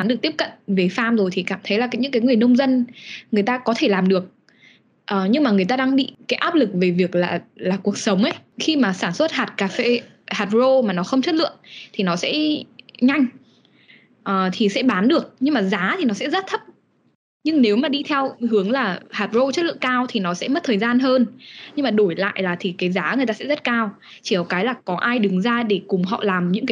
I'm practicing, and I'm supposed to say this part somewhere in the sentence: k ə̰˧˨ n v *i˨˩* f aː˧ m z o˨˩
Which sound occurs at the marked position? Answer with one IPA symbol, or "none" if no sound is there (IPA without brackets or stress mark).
e˨˩